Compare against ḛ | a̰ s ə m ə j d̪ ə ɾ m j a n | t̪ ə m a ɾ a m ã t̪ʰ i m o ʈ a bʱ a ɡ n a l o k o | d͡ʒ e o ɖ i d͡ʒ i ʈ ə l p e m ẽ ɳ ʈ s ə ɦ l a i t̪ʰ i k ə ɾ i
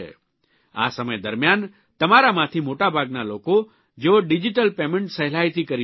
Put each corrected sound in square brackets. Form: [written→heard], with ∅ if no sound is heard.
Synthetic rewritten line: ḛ | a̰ s ə m ə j d̪ ə ɾ m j a n | t̪ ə m a ɾ a m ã t̪ʰ i m o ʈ a bʱ a ɡ n a l o k o | d͡ʒ e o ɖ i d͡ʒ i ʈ ə l p e m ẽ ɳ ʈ s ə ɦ l a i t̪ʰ i k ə ɾ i